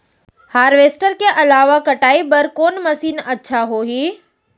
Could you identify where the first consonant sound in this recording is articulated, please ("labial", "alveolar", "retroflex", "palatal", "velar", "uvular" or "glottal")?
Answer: glottal